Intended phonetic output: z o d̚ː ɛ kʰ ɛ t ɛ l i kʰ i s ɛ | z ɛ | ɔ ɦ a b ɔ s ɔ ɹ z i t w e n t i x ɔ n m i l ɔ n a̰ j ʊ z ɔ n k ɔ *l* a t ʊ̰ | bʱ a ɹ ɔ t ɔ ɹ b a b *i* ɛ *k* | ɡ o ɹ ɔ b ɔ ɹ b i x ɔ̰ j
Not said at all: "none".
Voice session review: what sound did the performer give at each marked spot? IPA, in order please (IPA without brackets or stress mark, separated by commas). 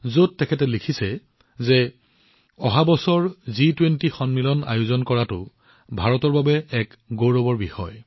ɹ, ɛ, k